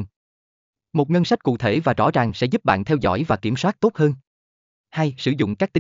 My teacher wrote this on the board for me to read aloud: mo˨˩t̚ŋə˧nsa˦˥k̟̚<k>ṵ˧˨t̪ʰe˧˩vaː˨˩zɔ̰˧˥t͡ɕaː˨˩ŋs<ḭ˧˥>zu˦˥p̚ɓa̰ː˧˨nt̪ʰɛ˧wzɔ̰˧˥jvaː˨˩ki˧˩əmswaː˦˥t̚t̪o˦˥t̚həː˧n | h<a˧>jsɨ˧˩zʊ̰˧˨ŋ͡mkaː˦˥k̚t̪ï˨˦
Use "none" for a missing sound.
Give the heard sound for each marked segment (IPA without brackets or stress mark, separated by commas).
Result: k, ɛ̰˧˥, a˧